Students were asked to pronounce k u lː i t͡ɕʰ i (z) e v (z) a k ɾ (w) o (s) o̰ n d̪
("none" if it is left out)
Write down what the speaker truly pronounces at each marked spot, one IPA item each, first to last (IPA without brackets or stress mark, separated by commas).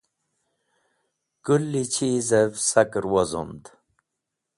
z, s, w, z